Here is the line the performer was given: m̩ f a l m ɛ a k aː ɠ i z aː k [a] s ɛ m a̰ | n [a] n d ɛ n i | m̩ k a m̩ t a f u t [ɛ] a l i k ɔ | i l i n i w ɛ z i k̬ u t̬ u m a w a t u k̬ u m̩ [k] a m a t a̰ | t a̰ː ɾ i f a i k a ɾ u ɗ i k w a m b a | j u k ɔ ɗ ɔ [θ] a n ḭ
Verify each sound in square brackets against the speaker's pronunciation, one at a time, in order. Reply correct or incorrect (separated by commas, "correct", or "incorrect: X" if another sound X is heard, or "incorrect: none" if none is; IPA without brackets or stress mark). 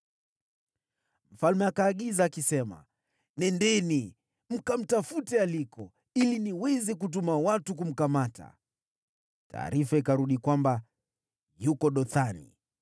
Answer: incorrect: i, incorrect: ɛ, correct, correct, correct